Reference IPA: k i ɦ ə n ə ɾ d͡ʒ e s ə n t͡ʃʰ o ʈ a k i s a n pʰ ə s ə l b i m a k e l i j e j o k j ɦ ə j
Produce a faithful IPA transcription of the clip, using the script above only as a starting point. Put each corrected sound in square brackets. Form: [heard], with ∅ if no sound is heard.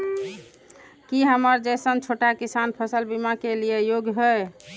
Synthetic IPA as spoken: k i ɦ ə [m] ə ɾ d͡ʒ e s ə n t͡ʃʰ o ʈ a k i s a n pʰ ə s ə l b i m a k e l i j e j o [ɡ] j ɦ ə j